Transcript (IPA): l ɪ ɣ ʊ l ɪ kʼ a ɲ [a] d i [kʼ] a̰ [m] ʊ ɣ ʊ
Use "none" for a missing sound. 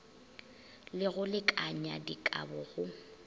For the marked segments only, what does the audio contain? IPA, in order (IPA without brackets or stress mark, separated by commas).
a, kʼ, b